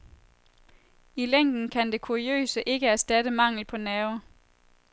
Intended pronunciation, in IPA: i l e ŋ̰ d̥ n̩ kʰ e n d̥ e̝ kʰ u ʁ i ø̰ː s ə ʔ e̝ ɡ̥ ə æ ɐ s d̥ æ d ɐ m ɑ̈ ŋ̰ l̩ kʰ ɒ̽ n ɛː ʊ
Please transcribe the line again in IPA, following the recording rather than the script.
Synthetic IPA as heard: i l e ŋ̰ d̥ n̩ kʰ æ n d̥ e̝ kʰ u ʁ i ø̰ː s ə ʔ e̝ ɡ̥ ə æ ɐ s d̥ æ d ə m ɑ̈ ŋ̰ l̩ pʰ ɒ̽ n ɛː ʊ